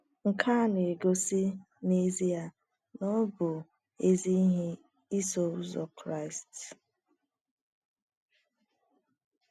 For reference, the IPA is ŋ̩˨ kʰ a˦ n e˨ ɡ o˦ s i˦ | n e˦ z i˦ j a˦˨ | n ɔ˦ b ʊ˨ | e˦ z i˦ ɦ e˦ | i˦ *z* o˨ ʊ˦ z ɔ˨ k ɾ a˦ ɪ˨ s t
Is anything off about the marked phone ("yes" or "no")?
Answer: yes